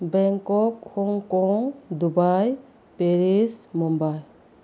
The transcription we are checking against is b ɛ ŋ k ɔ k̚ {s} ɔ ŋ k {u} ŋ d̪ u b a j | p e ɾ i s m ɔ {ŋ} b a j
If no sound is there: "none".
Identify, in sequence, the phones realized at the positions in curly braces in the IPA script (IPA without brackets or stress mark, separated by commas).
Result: h, ɔ, m